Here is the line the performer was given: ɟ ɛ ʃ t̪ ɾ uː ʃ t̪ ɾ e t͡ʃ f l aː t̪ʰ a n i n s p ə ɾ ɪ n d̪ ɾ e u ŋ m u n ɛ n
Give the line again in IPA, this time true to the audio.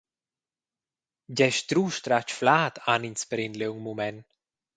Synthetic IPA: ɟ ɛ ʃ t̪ ɾ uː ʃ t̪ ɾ a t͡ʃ f l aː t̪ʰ a n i n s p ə ɾ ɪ n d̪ l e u ŋ m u m ɛ n